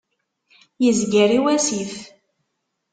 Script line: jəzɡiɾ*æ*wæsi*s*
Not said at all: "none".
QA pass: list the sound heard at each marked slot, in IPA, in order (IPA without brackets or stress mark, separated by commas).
i, f